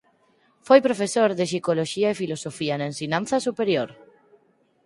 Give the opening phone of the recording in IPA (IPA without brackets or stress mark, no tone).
f